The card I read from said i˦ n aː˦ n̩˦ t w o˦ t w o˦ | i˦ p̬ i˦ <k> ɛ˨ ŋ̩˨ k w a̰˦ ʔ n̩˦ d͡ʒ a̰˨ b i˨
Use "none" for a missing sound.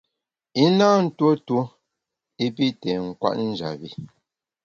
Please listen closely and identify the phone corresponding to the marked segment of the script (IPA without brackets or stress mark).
t